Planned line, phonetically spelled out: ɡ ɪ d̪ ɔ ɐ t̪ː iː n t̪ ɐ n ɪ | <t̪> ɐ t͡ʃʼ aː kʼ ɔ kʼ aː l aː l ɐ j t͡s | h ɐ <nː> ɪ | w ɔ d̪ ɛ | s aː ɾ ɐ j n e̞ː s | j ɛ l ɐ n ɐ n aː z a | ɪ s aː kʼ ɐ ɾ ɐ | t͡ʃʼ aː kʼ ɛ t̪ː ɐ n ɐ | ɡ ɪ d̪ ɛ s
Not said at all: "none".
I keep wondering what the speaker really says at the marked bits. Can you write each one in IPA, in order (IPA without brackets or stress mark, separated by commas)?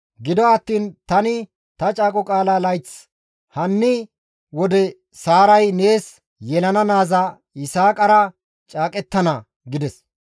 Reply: t̪, nː